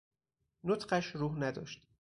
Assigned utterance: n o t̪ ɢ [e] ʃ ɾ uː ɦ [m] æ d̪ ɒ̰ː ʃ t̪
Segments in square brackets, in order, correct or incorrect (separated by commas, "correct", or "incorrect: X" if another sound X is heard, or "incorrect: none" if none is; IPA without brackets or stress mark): incorrect: æ, incorrect: n